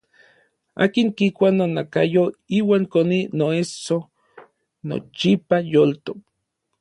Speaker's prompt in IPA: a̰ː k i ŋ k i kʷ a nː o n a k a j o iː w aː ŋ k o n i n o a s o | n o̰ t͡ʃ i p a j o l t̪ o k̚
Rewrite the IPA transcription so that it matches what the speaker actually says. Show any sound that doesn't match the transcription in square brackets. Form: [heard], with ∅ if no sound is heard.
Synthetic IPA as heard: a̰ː k i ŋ k i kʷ a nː o n a k a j o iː w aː ŋ k o n i n o [e] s o | n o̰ t͡ʃ i p a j o l t̪ o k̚